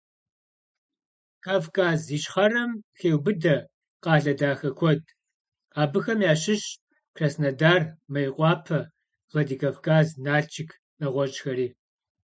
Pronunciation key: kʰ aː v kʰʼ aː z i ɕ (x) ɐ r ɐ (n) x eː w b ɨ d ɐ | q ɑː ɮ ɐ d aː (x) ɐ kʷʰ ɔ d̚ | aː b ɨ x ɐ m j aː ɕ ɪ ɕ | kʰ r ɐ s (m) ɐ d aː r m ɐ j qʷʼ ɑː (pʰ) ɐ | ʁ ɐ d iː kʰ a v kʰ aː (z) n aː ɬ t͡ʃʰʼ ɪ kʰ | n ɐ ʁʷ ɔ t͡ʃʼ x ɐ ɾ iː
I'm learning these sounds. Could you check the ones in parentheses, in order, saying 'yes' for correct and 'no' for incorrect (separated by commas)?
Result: no, no, yes, no, yes, yes